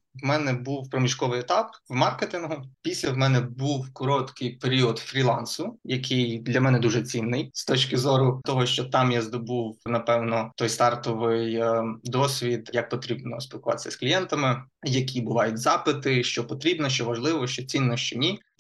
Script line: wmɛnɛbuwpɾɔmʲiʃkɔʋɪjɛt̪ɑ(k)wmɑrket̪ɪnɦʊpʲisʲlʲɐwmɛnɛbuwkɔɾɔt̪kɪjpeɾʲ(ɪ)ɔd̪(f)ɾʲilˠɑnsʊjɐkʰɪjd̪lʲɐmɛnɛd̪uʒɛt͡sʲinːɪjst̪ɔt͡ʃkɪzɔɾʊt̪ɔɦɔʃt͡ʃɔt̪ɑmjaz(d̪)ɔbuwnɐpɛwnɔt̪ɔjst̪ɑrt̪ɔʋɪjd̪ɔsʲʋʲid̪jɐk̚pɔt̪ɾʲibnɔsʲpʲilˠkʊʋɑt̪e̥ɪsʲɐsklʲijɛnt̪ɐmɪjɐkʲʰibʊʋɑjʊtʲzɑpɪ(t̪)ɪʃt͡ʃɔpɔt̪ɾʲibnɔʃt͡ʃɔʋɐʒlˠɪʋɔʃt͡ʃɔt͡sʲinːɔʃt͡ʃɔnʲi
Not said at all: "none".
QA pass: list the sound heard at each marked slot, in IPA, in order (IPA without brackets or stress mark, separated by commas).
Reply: p, i, f, d̪, t̪